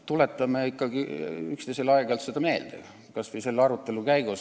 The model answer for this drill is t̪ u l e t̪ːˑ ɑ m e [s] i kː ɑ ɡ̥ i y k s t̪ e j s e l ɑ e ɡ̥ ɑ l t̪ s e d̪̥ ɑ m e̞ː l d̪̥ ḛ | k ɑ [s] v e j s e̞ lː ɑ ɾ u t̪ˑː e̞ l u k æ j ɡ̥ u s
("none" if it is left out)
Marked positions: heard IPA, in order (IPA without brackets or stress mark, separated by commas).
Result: none, s